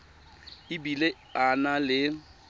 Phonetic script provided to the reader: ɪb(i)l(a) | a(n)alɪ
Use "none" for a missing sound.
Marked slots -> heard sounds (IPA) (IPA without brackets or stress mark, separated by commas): i, e, n